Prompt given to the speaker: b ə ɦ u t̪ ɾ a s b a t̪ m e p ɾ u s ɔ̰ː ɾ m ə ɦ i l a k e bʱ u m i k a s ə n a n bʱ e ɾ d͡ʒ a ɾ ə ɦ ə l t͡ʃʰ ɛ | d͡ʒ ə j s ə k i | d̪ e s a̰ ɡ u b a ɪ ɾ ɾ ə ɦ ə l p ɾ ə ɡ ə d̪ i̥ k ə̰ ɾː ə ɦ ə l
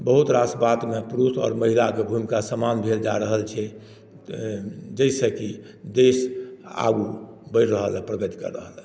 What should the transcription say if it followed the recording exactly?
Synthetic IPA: b ə ɦ u t̪ ɾ a s b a t̪ m e p ɾ u s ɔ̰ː ɾ m ə ɦ i l a k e bʱ u m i k a s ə m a n bʱ e l d͡ʒ a ɾ ə ɦ ə l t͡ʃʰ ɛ | d͡ʒ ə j s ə k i | d̪ e s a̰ ɡ u b ə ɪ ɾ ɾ ə ɦ ə l p ɾ ə ɡ ə t̪ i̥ k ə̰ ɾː ə ɦ ə l

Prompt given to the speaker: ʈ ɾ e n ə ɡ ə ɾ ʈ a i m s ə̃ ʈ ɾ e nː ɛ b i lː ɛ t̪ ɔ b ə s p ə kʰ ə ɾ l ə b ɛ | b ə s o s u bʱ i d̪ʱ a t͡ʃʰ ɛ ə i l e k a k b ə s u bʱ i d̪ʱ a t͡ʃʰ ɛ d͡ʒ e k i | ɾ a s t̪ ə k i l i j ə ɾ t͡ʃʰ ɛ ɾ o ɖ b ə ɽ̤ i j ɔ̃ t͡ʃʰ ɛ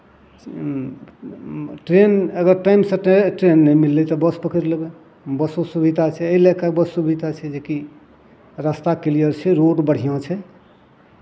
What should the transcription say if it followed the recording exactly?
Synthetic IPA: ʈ ɾ e n ə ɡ ə ɾ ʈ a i m s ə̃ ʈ ɾ e nː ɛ m i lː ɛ t̪ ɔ b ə s p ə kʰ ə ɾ l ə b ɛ | b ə s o s u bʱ i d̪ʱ a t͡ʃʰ ɛ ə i l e k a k b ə s u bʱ i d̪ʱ a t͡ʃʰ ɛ d͡ʒ e k i | ɾ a s t̪ a k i l i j ə ɾ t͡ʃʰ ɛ ɾ o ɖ b ə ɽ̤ i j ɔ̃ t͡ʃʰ ɛ

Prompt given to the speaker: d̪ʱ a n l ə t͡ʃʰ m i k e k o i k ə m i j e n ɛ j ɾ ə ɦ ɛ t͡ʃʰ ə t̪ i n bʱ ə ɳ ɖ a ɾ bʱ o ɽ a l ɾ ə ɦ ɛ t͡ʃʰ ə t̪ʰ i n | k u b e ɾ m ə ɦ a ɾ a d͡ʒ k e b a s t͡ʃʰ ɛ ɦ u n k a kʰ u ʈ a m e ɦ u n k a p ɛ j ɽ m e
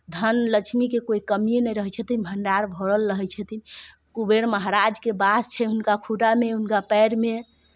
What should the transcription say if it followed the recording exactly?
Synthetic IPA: d̪ʱ ə n l ə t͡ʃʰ m i k e k o i k ə m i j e n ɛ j ɾ ə ɦ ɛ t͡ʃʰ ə t̪ i n bʱ ə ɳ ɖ a ɾ bʱ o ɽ ə l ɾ ə ɦ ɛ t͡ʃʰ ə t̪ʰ i n | k u b e ɾ m ə ɦ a ɾ a d͡ʒ k e b a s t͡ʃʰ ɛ ɦ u n k a kʰ u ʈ a m e ɦ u n k a p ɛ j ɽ m e

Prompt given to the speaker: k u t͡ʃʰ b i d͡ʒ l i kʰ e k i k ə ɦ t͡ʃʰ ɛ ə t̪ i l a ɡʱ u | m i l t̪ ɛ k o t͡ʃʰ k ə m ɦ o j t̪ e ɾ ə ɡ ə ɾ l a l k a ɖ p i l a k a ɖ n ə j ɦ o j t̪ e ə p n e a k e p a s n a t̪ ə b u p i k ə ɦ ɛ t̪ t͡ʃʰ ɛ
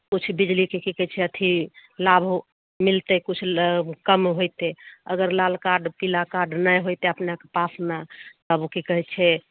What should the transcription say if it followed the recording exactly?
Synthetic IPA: k u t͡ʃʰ b i d͡ʒ l i k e k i k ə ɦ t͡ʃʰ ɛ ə t̪ʰ i l a bʱ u | m i l t̪ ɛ k u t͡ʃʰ k ə m ɦ o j t̪ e ə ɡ ə ɾ l a l k a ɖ p i l a k a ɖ n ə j ɦ o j t̪ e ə p n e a k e p a s n a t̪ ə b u k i k ə ɦ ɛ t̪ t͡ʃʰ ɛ

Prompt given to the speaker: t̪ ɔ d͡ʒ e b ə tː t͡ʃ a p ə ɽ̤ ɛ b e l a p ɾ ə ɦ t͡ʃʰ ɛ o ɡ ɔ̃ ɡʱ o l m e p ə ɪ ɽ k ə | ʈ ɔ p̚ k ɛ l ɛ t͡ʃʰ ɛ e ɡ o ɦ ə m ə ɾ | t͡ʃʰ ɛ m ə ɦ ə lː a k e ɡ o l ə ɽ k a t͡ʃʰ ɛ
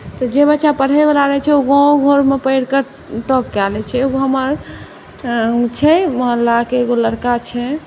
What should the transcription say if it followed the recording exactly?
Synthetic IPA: t̪ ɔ d͡ʒ e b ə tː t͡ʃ a p ə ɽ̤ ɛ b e l a ɾ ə ɦ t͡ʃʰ ɛ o ɡ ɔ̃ ɡʱ o ɾ m e p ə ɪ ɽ k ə | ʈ ɔ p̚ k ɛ l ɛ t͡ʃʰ ɛ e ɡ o ɦ ə m ə ɾ | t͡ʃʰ ɛ m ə ɦ ə lː a k e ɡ o l ə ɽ k a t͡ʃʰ ɛ

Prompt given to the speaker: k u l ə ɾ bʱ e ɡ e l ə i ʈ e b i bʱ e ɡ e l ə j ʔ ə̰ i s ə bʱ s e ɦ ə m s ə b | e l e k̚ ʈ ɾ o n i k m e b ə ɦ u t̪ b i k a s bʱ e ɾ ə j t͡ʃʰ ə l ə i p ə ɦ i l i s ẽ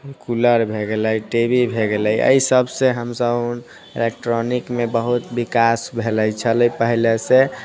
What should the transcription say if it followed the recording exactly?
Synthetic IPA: k u l ə ɾ bʱ e ɡ e l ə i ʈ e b i bʱ e ɡ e l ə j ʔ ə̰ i s ə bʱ s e ɦ ə m s ə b | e l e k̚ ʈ ɾ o n i k m e b ə ɦ u t̪ b i k a s bʱ e l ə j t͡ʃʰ ə l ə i p ə ɦ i l e s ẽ

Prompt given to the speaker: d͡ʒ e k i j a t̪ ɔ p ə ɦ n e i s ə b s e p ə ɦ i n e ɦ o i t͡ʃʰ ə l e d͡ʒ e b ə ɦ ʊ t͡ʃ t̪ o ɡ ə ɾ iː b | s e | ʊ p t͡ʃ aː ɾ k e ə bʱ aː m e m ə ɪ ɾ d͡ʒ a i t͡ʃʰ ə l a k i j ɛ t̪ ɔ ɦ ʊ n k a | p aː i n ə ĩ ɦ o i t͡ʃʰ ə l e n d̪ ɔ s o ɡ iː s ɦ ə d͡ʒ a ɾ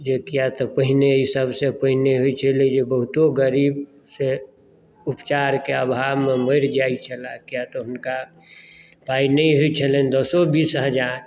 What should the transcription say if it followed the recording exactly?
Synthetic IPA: d͡ʒ e k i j a t̪ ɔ p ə ɦ n e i s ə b s e p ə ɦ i n e ɦ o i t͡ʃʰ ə l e d͡ʒ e b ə ɦ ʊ t̪ o ɡ ə ɾ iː b | s e | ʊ p t͡ʃ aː ɾ k e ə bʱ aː m e m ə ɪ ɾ d͡ʒ a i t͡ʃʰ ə l a k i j a t̪ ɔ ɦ ʊ n k a | p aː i n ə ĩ ɦ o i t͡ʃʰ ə l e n d̪ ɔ s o b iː s ɦ ə d͡ʒ a ɾ

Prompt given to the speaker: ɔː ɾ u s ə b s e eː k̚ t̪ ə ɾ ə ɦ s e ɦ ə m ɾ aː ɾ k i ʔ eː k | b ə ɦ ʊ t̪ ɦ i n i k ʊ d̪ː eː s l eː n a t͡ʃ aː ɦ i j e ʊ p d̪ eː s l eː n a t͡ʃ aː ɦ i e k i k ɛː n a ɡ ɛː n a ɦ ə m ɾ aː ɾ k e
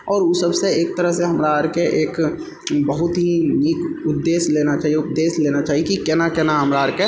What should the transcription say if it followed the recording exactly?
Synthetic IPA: ɔː ɾ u s ə b s e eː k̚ t̪ ə ɾ ə ɦ s e ɦ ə m ɾ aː ɾ k e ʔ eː k | b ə ɦ ʊ t̪ ɦ i n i k ʊ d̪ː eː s l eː n a t͡ʃ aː ɦ i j e ʊ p d̪ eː s l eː n a t͡ʃ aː ɦ i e k i k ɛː n a k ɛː n a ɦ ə m ɾ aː ɾ k e

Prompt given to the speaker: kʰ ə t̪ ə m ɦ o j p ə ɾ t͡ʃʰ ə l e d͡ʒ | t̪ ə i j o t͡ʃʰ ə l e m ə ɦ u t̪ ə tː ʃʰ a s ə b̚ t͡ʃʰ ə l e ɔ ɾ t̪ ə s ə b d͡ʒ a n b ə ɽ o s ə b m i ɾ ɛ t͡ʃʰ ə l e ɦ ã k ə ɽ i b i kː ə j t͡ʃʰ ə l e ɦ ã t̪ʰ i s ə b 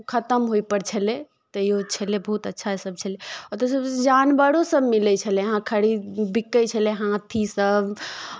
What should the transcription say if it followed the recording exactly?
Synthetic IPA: kʰ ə t̪ ə m ɦ o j p ə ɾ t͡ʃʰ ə l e | t̪ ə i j o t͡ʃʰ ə l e b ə ɦ u t̪ ə tː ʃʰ a s ə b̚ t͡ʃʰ ə l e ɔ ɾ t̪ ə s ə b d͡ʒ a n b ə ɽ o s ə b m i l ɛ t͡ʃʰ ə l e ɦ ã kʰ ə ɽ i b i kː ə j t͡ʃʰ ə l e ɦ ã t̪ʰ i s ə b

